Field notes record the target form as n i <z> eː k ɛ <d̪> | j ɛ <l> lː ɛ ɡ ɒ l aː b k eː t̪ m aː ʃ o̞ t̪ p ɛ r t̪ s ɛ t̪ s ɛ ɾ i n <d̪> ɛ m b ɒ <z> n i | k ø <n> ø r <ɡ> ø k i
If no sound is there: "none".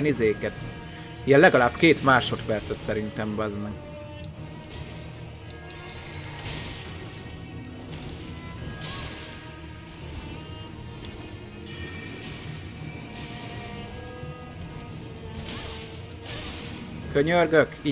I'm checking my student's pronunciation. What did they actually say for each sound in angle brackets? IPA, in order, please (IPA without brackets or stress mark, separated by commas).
z, t̪, l, t̪, z, ɲ, ɡ